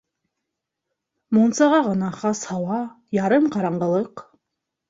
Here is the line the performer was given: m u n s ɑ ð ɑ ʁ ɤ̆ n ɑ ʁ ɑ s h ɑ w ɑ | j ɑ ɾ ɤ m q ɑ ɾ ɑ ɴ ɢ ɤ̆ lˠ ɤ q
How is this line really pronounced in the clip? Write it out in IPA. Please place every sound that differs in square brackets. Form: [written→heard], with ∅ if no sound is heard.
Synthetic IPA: m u n s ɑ [ð→ʁ] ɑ ʁ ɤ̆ n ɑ [ʁ→χ] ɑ s h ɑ w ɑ | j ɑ ɾ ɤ m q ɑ ɾ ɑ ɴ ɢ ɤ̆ lˠ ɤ q